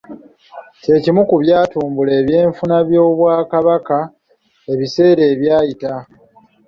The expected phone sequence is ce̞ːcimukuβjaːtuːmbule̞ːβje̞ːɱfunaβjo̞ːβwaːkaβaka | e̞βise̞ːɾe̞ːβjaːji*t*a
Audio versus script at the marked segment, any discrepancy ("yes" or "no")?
no